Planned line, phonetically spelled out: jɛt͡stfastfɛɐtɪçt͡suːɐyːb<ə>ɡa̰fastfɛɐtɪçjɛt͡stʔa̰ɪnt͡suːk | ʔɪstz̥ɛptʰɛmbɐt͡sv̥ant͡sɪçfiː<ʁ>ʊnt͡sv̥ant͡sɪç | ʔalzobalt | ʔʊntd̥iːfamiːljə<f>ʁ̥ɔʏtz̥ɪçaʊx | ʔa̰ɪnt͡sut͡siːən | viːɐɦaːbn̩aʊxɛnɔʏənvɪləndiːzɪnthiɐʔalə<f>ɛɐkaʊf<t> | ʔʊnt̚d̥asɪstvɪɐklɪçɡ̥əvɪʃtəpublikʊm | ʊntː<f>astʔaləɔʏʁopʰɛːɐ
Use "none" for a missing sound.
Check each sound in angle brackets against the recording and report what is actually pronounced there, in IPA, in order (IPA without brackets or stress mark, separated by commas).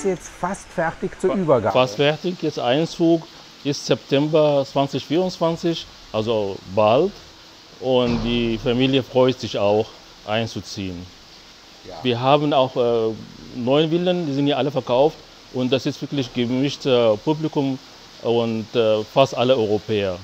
ɐ, ʁ, f, f, t, f